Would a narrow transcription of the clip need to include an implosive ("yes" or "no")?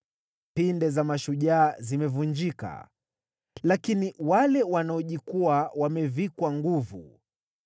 yes